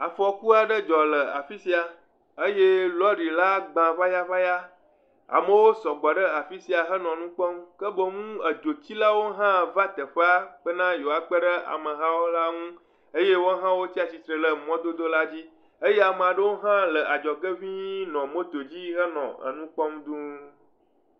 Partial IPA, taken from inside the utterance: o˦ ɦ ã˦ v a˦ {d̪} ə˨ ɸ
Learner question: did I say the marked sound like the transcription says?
no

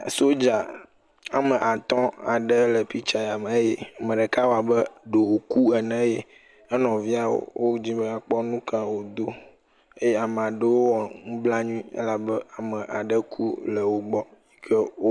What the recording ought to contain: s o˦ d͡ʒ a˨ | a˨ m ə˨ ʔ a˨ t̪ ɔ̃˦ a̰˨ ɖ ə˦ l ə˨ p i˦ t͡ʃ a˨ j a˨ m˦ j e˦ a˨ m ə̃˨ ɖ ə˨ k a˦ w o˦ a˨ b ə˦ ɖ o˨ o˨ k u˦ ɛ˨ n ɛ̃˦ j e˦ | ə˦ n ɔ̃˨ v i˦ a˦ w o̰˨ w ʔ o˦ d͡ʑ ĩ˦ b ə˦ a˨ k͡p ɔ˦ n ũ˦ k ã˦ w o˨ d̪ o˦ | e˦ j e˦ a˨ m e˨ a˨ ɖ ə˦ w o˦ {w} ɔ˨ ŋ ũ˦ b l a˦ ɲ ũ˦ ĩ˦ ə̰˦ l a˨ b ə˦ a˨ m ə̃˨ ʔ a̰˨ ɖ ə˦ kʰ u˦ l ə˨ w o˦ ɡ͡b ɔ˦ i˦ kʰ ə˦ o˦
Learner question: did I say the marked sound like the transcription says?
yes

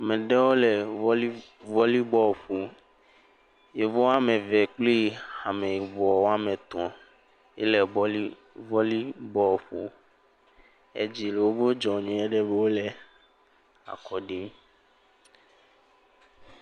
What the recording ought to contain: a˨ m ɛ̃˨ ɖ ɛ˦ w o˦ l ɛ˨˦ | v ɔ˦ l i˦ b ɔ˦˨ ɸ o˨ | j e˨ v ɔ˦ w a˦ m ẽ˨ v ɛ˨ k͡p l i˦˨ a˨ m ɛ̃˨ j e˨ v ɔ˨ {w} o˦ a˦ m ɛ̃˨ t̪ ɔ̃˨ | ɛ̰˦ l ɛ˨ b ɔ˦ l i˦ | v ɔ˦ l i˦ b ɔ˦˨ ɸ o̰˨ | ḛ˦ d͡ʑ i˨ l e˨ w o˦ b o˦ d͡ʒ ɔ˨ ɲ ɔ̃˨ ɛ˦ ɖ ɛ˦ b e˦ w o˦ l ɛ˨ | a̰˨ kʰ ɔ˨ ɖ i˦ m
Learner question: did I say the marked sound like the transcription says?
yes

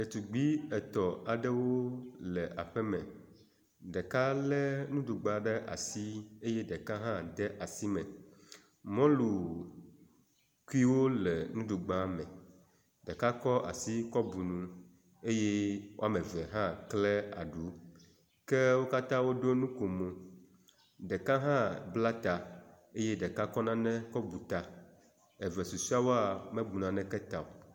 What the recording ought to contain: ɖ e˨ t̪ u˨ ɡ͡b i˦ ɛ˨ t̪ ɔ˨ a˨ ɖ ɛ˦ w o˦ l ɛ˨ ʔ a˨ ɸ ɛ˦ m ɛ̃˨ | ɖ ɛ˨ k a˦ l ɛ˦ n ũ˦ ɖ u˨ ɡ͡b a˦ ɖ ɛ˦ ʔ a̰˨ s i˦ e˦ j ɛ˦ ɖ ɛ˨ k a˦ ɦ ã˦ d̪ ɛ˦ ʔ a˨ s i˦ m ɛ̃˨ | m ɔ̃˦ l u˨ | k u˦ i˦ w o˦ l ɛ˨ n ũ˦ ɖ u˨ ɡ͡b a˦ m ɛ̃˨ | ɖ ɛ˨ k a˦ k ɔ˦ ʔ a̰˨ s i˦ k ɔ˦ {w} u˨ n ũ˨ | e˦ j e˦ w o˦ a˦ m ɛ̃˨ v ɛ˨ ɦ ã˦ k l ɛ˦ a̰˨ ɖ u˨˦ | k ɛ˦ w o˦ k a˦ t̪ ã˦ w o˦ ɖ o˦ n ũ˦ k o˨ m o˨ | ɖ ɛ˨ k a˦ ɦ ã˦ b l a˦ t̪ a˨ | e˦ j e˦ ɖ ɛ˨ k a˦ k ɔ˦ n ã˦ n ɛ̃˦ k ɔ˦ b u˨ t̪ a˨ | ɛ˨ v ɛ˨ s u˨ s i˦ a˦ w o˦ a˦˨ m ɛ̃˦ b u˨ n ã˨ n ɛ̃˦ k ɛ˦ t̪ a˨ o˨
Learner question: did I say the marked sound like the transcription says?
no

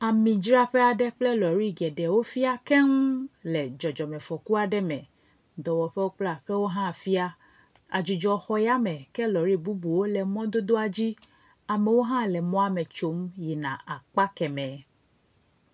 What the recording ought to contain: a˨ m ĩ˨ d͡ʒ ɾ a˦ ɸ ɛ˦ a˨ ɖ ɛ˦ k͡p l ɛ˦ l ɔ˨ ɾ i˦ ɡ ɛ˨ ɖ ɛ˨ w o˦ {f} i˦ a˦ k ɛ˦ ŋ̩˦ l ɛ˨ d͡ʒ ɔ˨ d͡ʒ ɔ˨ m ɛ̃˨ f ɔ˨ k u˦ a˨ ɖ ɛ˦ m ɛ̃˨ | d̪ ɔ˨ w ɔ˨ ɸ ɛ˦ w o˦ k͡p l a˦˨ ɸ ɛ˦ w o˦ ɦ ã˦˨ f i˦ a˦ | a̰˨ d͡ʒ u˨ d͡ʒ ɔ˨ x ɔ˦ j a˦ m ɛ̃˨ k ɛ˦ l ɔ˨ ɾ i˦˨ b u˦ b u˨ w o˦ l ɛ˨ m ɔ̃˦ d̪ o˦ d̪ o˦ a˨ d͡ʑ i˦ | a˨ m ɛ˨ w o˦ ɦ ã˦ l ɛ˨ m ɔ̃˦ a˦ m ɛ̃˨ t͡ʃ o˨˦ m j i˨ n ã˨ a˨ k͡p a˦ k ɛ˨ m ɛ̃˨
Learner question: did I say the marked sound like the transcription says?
yes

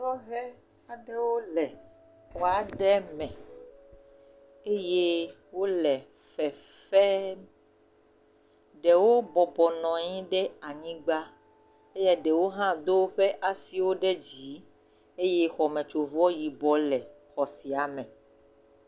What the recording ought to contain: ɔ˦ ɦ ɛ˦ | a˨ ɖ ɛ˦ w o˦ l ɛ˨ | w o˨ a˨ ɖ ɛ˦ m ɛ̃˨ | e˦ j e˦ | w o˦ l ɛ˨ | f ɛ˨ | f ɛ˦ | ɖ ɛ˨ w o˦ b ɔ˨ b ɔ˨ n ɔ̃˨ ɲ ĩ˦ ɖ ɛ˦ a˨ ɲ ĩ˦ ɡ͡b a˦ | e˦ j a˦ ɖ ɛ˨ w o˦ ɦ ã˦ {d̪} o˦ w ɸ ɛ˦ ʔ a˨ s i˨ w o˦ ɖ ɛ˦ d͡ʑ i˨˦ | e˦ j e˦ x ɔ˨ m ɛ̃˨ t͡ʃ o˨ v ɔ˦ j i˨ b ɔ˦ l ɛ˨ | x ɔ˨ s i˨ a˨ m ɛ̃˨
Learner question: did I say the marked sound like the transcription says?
yes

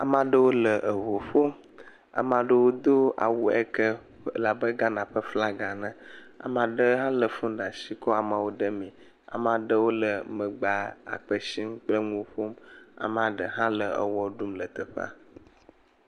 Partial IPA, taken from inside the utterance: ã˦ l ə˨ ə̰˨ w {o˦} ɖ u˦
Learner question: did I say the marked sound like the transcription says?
no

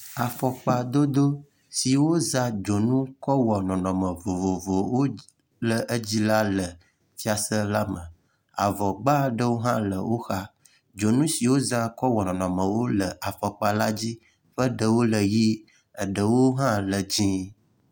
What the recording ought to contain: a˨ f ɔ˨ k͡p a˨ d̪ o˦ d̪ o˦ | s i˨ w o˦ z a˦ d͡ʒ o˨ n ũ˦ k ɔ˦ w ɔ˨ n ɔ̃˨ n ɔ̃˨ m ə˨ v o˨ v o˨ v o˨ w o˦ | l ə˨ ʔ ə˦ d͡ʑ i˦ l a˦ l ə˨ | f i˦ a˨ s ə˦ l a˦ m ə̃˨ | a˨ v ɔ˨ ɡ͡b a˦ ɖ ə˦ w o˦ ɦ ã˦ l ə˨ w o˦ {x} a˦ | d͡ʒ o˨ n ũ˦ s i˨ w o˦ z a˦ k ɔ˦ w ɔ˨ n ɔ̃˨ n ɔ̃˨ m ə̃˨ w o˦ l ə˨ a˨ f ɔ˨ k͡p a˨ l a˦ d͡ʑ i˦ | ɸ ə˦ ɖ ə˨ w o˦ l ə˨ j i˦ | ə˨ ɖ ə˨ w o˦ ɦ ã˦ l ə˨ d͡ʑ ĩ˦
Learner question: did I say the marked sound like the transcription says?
yes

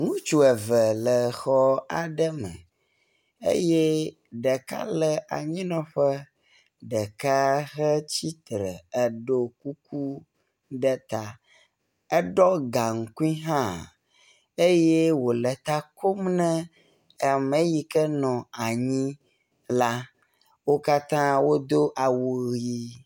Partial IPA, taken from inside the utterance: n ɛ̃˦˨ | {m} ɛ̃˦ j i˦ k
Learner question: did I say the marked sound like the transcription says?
yes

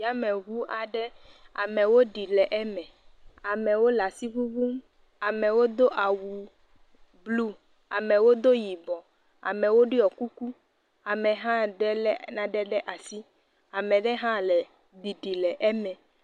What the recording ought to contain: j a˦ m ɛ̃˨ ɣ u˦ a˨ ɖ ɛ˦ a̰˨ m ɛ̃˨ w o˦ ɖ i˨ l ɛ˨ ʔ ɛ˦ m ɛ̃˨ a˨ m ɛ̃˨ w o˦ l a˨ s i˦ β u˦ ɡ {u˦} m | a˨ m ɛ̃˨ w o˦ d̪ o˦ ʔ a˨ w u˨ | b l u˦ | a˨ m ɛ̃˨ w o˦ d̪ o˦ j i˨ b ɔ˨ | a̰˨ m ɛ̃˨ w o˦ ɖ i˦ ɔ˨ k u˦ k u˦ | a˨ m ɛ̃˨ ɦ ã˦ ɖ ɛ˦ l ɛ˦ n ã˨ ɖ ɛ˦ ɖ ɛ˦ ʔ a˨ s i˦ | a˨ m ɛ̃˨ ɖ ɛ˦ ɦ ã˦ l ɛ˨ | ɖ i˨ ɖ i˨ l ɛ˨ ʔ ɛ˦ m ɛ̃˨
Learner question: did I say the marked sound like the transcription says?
yes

